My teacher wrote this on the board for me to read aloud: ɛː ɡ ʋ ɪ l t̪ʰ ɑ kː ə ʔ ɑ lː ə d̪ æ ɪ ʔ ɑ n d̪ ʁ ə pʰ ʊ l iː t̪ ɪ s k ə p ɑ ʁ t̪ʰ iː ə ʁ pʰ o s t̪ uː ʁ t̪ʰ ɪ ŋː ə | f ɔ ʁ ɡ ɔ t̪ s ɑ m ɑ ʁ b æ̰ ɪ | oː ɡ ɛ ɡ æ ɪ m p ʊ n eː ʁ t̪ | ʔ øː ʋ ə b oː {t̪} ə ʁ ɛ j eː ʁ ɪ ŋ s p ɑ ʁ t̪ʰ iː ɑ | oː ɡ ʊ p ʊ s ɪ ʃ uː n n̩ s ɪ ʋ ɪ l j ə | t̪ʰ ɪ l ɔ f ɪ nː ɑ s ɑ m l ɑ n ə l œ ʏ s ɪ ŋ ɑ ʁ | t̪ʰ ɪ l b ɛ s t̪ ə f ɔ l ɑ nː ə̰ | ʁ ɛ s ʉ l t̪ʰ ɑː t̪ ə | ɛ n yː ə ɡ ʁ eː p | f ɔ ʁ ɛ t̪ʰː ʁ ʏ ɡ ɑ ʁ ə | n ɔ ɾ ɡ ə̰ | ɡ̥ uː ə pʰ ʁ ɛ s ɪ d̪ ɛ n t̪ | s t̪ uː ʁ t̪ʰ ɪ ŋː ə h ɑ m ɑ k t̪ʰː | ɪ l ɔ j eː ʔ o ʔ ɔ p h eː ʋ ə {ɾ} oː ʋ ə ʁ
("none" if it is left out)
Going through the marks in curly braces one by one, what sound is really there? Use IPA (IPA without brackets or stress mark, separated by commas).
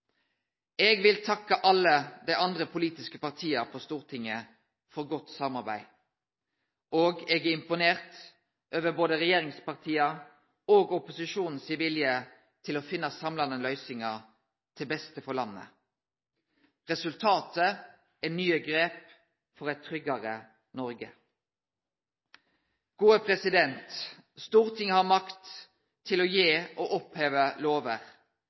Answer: d̪, l